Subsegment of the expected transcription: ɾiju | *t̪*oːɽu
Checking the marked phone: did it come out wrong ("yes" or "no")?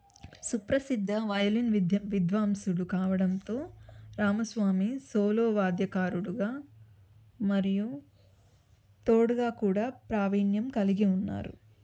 no